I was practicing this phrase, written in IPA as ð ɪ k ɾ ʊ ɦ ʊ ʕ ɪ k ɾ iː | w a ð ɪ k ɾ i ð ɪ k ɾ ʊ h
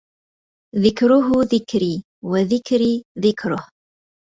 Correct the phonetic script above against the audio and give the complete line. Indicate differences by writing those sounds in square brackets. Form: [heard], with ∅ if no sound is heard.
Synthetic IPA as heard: ð ɪ k ɾ ʊ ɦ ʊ [ð] ɪ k ɾ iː | w a ð ɪ k ɾ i ð ɪ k ɾ ʊ h